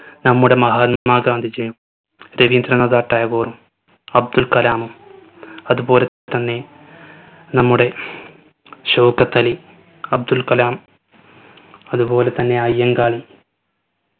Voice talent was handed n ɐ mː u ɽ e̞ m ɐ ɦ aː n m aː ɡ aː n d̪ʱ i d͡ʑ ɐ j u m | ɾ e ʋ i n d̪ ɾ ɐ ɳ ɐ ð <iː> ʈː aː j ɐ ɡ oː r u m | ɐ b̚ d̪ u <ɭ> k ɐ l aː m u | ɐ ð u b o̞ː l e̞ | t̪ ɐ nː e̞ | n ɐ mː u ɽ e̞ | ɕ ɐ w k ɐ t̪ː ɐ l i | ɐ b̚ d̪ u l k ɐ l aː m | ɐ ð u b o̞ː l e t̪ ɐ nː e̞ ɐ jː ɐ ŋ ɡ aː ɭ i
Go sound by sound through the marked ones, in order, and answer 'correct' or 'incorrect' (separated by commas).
incorrect, incorrect